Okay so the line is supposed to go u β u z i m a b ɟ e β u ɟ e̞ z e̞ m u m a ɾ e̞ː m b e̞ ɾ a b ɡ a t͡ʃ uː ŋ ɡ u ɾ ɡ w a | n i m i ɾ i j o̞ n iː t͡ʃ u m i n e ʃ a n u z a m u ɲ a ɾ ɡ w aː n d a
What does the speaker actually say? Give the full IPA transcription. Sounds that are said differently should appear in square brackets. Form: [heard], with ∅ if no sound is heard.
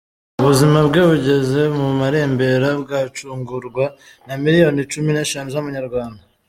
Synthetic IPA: u β u z i m a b [ɡ] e β u ɟ e̞ z e̞ m u m a ɾ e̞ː m b e̞ ɾ a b ɡ a t͡ʃ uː ŋ ɡ u ɾ ɡ w a | n [a] m i ɾ i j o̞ n [i] t͡ʃ u m i n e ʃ a n u z a m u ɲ a ɾ ɡ w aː n d a